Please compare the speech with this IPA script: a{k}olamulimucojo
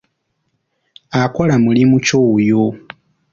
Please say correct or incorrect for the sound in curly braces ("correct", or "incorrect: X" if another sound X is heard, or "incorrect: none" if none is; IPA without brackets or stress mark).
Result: correct